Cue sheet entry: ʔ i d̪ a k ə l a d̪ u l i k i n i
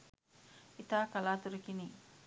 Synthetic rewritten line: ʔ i t̪ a k a l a t̪ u ɾ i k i n i

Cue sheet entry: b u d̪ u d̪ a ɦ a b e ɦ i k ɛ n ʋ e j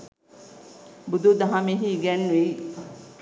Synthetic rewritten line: b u d̪ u d̪ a ɦ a m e ɦ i ɡ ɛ n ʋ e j

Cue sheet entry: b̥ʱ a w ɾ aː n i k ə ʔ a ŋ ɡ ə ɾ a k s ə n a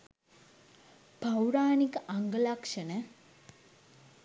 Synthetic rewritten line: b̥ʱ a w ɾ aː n i k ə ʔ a ŋ ɡ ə l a k ʂ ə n ə

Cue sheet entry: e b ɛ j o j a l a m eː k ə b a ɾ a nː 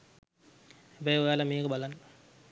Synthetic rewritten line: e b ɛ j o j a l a m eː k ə b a l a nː

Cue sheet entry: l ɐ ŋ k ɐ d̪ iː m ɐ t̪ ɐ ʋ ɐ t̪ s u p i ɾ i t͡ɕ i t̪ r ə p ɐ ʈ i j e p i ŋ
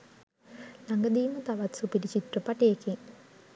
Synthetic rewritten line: l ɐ ŋ ɡ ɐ d̪ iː m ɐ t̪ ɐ ʋ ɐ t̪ s u p i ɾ i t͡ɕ i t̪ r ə p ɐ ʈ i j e k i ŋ

